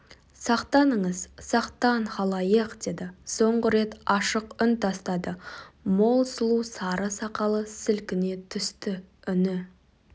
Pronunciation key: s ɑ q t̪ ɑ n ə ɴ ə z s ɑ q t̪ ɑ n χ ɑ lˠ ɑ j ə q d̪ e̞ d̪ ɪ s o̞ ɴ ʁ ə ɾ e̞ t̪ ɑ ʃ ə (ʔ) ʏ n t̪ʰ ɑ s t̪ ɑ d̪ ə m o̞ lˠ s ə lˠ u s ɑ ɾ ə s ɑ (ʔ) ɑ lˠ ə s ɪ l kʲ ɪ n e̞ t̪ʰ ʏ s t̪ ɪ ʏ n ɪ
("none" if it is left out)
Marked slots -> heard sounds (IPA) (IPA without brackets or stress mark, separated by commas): q, q